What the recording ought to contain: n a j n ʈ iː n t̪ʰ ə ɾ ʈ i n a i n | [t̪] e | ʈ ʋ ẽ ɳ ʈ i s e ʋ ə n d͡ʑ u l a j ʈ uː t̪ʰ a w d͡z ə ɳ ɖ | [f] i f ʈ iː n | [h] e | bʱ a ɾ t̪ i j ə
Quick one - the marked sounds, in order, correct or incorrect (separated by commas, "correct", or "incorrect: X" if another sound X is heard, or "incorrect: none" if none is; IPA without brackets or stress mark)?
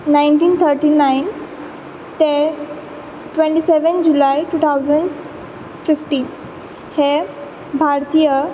correct, correct, correct